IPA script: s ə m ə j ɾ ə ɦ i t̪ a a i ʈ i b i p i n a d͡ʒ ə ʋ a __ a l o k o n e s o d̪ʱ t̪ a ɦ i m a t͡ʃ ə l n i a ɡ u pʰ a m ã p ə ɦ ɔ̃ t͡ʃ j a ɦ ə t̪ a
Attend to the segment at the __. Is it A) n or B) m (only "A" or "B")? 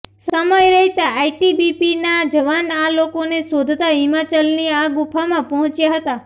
A